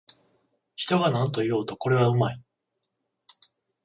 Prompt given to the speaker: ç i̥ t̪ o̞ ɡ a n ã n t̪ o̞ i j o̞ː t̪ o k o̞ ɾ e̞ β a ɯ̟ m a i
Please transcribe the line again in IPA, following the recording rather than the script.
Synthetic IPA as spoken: ç i̥ t̪ o̞ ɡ a n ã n t̪ o̞ i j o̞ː t̪ o k o̞ ɾ e̞ β a ɯ̟ m a i